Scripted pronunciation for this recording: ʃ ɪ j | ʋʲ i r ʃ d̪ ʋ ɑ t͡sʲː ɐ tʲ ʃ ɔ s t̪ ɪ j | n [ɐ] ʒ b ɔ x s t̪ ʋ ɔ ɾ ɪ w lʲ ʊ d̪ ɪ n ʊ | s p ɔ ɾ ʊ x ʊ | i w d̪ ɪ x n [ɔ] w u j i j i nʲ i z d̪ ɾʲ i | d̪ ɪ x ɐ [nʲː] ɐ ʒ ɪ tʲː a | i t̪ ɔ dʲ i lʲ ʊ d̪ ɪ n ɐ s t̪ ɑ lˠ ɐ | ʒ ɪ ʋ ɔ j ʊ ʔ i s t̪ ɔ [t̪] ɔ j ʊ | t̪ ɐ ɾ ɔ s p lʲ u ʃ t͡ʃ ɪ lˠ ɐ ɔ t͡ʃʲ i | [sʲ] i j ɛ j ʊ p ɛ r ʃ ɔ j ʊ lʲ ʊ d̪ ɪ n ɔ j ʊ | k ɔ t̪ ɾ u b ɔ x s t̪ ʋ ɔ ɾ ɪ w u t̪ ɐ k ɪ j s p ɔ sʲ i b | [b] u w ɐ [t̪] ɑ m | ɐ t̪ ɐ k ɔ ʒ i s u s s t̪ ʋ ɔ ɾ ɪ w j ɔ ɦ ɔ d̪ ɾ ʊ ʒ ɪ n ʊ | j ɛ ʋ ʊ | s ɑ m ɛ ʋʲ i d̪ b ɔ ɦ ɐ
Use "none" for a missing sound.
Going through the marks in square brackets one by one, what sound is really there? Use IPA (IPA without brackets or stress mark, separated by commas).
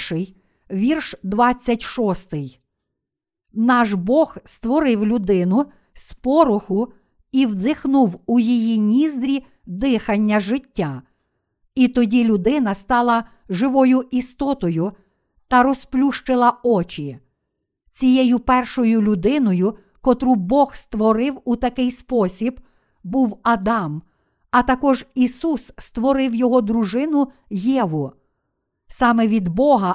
ɑ, u, nʲː, t̪, t͡sʲ, b, d̪